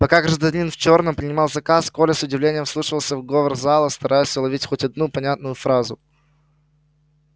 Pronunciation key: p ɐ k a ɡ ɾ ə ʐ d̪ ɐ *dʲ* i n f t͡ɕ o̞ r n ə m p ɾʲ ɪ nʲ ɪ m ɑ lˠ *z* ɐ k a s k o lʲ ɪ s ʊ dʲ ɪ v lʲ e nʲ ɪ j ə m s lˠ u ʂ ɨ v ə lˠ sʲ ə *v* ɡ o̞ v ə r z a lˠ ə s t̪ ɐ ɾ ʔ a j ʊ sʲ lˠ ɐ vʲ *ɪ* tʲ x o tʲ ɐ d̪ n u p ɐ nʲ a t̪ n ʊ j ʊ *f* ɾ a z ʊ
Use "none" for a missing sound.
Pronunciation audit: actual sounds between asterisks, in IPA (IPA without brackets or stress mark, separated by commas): nʲ, z, v, i, f